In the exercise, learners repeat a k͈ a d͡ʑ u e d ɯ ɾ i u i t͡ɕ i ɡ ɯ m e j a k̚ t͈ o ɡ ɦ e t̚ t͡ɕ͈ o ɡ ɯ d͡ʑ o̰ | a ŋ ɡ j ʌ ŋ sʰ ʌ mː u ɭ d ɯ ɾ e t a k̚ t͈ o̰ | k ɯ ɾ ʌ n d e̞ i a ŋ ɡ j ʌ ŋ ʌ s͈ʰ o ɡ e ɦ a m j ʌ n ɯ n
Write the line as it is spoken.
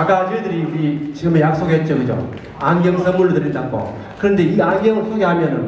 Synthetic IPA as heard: a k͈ a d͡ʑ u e d ɯ ɾ i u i t͡ɕ i ɡ ɯ m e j a k̚ s͈ o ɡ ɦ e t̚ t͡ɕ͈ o ɡ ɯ d͡ʑ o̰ | a ŋ ɡ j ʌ ŋ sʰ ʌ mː u ɭ d ɯ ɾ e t a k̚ k͈ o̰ | k ɯ ɾ ʌ n d e̞ i a ŋ ɡ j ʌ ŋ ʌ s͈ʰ o ɡ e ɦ a m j ʌ n ɯ n